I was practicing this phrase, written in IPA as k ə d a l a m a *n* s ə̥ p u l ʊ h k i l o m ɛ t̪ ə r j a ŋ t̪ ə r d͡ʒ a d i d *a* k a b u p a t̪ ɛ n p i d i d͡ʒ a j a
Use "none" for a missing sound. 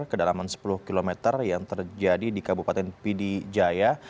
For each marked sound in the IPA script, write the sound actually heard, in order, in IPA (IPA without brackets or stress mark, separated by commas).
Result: n, i